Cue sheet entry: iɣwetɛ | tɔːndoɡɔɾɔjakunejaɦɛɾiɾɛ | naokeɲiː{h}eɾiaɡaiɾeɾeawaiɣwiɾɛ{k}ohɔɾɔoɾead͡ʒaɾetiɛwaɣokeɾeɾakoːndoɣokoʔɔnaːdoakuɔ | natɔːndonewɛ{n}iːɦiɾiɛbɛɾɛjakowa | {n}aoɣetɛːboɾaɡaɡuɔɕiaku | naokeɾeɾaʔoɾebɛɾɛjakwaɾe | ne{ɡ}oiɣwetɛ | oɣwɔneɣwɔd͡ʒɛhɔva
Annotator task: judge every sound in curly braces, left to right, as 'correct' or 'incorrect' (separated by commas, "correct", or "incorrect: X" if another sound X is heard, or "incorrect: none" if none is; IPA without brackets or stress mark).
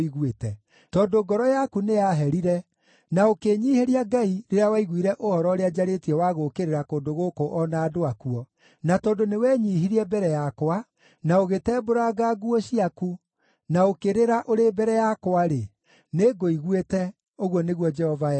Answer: correct, incorrect: ʔ, incorrect: ɲ, correct, correct